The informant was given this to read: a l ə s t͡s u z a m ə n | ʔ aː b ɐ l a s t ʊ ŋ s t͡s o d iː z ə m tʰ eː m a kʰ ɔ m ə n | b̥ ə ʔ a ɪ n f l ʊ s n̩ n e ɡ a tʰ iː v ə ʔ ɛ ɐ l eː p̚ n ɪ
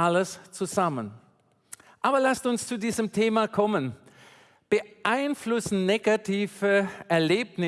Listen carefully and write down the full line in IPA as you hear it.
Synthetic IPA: a l ə s t͡s u z a m ə n | ʔ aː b ɐ l a s t ʊ n s t͡s u d iː z ə m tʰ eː m a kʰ ɔ m ə n | b̥ ə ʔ a ɪ n f l ʊ s n̩ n e ɡ a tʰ iː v ə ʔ ɛ ɐ l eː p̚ n ɪ

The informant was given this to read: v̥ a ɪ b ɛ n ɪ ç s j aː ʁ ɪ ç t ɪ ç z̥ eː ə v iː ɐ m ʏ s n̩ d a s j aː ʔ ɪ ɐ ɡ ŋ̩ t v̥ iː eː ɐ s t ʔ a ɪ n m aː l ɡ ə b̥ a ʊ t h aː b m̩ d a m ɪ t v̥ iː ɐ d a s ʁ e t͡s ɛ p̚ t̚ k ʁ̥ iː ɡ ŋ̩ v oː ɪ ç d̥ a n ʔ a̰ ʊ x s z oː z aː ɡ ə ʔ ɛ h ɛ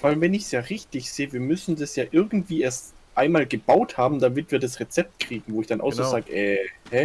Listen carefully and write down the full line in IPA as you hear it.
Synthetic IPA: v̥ a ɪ v ɛ n ɪ ç s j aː ʁ ɪ ç t ɪ ç z̥ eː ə v iː ɐ m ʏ s n̩ d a s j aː ʔ ɪ ɐ ɡ ŋ̩ t v̥ iː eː ɐ s t ʔ a ɪ n m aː l ɡ ə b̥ a ʊ t h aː b m̩ d a m ɪ t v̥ iː ɐ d a s ʁ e t͡s ɛ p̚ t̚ k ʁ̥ iː ɡ ŋ̩ v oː ɪ ç d̥ a n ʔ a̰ ʊ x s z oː z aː ɡ ə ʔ ɛ h ɛ

